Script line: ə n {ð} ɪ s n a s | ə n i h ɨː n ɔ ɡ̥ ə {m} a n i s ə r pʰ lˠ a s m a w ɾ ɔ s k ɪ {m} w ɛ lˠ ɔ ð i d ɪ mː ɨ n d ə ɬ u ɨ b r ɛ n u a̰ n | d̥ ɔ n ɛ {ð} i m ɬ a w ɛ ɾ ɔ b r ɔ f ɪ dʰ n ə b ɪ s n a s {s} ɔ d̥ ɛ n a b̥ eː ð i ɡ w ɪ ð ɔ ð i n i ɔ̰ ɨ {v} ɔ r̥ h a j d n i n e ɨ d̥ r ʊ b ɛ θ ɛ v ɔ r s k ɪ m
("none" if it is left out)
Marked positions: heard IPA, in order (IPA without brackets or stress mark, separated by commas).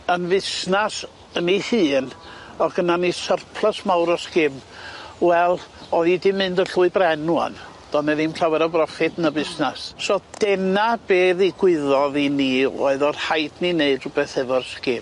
v, n, m, ð, s, ð